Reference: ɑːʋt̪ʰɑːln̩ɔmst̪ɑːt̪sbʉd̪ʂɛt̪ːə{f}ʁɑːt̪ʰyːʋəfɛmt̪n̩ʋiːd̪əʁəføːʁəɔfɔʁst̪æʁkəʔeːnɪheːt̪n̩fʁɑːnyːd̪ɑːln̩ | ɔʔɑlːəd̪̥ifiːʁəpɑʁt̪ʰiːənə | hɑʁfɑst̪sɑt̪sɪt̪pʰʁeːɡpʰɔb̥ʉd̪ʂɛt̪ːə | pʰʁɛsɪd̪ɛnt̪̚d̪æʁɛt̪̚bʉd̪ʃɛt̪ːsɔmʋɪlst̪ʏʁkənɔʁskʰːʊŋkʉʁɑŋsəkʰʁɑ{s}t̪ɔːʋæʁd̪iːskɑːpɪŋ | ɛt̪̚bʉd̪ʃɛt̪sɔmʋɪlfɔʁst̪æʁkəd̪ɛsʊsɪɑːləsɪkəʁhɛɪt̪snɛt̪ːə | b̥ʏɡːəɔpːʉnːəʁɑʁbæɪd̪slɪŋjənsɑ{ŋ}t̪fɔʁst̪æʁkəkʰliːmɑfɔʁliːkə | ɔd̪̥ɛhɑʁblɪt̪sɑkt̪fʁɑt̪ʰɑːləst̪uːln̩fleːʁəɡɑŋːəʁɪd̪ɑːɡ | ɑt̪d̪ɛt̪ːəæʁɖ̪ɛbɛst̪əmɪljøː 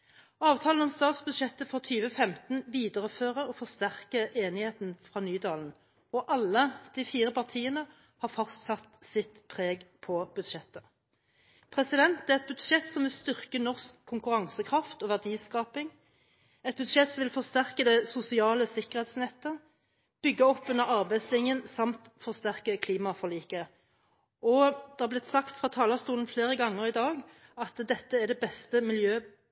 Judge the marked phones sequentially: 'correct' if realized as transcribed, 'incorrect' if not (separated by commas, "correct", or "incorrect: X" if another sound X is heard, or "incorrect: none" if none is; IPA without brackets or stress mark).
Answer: correct, incorrect: f, incorrect: m